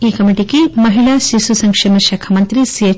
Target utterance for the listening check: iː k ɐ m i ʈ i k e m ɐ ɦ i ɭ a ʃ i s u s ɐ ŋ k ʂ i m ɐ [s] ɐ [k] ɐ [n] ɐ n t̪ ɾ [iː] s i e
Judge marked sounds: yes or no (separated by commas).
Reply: no, no, no, no